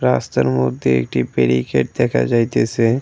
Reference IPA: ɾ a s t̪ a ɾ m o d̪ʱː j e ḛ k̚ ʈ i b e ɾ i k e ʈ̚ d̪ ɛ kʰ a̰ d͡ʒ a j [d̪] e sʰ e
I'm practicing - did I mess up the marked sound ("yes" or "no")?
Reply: yes